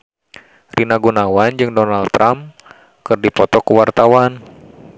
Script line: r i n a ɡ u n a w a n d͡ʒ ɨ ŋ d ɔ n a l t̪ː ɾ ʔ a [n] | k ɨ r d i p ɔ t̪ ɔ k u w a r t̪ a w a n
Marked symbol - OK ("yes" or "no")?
no